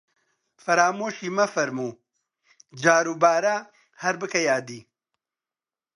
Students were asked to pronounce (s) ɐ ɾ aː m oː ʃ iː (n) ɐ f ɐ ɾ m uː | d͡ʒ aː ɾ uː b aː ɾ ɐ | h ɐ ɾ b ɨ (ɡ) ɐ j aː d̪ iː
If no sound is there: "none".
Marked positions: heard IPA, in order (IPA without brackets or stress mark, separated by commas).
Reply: f, m, k